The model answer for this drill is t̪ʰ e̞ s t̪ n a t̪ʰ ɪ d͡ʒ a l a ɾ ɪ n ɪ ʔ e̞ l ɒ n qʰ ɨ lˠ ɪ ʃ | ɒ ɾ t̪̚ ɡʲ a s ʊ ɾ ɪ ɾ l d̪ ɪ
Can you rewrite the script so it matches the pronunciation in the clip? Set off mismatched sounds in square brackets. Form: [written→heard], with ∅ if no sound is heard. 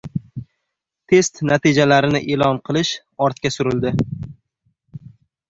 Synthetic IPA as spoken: t̪ʰ e̞ s t̪ n a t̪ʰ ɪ d͡ʒ a l a ɾ ɪ n ɪ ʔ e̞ l ɒ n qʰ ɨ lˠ ɪ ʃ | ɒ ɾ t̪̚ [ɡʲ→kʲ] a s ʊ ɾ ɪ [ɾ→∅] l d̪ ɪ